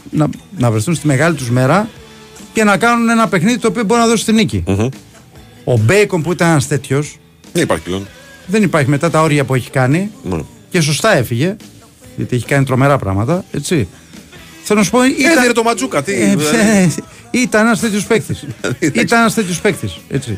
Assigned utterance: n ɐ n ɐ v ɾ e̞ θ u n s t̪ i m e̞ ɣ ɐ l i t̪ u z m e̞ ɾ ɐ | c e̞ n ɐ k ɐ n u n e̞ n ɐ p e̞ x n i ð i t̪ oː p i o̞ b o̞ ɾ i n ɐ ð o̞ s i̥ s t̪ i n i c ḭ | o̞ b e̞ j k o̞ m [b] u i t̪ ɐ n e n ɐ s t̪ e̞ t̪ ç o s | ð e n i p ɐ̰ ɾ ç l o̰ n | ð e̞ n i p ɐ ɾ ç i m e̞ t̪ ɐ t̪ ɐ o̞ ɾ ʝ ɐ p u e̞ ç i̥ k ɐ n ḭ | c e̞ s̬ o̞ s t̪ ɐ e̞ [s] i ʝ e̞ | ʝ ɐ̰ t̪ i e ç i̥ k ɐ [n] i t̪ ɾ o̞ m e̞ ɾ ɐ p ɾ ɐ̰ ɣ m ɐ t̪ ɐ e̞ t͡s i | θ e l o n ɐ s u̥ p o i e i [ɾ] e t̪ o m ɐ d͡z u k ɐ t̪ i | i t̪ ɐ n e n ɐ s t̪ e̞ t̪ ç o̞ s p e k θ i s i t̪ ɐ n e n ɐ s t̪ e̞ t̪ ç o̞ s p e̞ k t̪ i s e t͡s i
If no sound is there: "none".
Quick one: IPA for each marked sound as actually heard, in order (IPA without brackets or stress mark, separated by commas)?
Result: p, f, n, ɾ